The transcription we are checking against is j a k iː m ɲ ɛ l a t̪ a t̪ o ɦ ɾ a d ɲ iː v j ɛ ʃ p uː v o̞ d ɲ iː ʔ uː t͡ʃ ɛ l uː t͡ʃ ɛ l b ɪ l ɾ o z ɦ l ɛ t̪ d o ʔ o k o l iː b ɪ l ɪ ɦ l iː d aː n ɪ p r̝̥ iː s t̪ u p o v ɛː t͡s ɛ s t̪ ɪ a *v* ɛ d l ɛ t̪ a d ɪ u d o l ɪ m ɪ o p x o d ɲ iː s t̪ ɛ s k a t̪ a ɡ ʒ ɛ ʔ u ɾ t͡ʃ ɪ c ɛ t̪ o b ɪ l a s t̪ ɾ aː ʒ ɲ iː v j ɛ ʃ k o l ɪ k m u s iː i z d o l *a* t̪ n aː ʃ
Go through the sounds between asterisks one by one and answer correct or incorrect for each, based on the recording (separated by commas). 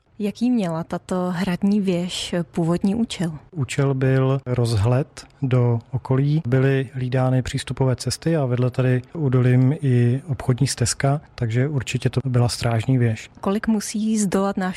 correct, correct